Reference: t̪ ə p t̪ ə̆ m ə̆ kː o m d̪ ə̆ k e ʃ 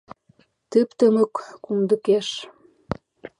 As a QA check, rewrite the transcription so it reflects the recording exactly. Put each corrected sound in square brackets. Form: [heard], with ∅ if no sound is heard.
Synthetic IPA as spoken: t̪ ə p t̪ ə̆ m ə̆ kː [u] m d̪ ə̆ k e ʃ